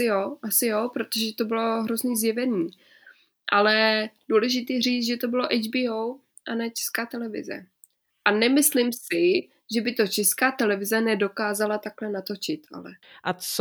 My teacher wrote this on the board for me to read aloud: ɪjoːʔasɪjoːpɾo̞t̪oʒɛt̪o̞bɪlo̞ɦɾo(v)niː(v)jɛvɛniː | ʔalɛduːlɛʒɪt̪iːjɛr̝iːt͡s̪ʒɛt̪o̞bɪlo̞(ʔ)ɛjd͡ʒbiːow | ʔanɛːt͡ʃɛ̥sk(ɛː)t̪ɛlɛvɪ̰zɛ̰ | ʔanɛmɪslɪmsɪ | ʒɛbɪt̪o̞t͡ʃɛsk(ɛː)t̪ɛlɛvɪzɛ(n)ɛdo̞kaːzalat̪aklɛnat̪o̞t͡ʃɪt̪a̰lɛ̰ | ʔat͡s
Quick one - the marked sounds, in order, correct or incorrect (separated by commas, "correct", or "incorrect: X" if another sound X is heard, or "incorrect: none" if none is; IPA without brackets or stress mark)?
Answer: incorrect: z, incorrect: z, correct, incorrect: aː, incorrect: aː, correct